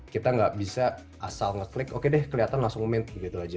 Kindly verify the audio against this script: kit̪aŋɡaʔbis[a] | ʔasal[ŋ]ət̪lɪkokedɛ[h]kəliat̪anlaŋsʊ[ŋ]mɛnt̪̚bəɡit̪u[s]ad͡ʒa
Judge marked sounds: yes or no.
yes, yes, yes, yes, no

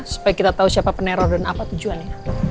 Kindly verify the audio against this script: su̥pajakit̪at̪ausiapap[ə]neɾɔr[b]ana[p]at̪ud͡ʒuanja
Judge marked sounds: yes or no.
yes, no, yes

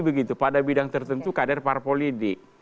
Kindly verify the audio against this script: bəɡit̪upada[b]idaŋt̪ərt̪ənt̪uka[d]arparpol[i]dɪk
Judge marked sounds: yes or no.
yes, yes, yes

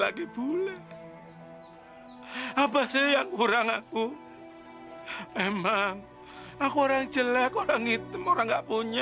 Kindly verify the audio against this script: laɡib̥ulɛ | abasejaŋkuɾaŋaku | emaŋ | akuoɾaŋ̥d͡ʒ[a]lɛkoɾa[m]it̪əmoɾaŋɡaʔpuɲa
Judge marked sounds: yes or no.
no, no

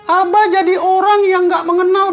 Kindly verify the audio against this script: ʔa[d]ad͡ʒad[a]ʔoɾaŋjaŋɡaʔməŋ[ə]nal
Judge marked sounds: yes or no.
no, no, yes

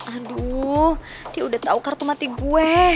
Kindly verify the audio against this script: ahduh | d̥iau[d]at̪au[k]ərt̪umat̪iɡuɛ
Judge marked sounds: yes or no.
yes, yes

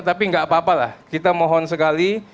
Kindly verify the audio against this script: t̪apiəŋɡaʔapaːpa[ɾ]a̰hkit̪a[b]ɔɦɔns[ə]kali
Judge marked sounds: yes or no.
no, no, yes

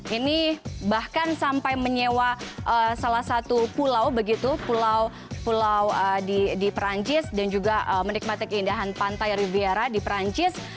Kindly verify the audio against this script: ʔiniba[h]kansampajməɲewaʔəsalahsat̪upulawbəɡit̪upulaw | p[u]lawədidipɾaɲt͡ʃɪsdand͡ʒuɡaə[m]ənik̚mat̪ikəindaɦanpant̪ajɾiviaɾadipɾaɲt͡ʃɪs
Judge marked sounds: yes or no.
yes, yes, yes

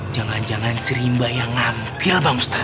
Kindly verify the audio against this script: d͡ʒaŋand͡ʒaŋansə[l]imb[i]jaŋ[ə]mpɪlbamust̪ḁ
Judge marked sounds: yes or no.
no, no, no

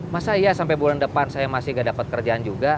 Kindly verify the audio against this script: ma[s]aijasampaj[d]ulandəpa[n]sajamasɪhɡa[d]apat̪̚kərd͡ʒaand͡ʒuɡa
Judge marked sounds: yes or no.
yes, no, yes, yes

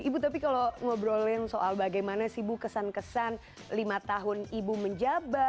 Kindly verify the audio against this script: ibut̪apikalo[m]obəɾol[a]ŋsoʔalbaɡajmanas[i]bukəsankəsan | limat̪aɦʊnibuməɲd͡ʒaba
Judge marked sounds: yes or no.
no, no, yes

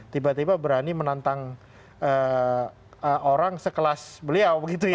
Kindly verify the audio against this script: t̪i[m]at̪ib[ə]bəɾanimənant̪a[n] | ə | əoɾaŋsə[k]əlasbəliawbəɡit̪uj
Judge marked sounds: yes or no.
no, no, no, yes

